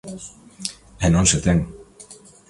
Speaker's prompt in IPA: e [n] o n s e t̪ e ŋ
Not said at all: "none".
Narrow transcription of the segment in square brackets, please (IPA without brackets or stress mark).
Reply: n